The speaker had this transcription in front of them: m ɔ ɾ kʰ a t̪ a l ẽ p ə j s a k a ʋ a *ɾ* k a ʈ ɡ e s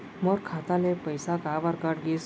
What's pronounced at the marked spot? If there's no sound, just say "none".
ɾ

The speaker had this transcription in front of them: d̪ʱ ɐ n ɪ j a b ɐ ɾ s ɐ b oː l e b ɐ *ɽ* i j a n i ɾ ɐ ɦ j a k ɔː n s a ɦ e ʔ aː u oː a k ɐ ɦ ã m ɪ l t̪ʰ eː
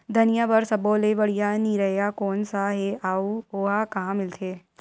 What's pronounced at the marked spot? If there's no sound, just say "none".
ɽ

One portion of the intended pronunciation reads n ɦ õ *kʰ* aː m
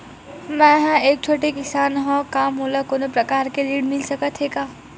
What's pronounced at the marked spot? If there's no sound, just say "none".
k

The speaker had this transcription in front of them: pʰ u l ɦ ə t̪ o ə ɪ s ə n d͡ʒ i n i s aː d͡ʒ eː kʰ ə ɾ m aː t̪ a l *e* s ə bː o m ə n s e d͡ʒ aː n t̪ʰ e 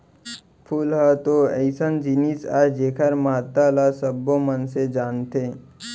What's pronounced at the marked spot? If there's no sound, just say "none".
a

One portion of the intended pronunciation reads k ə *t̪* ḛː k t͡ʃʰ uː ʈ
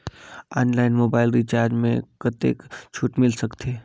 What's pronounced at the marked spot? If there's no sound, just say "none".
t̪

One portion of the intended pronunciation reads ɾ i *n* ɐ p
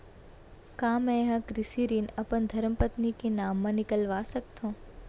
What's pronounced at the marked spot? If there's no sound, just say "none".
n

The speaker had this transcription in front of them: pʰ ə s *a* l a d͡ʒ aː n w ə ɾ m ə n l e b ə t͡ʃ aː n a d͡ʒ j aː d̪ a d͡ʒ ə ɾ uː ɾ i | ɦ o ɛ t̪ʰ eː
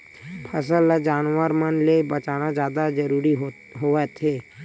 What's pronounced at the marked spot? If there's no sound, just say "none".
ə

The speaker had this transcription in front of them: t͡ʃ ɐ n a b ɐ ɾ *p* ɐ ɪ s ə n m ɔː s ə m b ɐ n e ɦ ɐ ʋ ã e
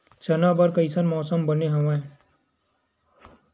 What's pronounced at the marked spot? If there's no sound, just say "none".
k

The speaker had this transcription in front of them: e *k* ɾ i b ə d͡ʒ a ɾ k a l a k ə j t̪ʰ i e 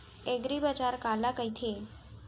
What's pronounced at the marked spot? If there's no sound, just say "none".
ɡ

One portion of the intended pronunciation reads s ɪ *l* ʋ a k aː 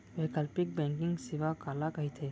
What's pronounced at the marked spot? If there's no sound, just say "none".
none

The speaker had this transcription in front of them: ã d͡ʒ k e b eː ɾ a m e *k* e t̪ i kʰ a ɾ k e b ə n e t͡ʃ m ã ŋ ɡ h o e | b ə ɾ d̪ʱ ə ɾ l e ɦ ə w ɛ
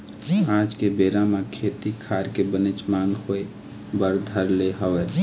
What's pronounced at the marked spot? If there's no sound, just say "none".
kʰ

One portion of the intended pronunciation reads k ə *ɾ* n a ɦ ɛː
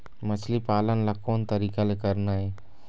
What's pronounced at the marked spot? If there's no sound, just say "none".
ɾ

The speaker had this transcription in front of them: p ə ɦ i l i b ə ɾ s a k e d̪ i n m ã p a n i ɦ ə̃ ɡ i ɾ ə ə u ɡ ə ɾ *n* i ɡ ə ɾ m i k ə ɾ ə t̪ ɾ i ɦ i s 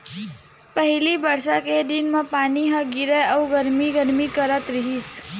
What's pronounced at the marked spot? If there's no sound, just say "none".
m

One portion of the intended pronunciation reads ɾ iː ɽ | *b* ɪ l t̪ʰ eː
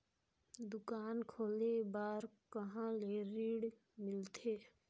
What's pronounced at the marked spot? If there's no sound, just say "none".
m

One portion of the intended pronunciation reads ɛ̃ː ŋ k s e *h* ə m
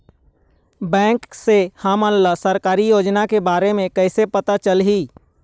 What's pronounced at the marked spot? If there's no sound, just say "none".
h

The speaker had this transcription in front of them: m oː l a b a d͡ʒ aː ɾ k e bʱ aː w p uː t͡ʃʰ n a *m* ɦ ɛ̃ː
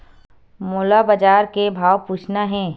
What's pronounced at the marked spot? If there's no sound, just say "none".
none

